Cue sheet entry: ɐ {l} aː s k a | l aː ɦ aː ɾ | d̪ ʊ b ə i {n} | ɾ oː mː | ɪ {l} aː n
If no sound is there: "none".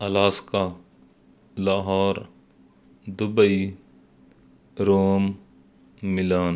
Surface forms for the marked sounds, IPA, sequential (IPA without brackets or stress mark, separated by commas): l, none, l